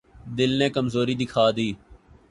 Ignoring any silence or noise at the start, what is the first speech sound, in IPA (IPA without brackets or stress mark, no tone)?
d̪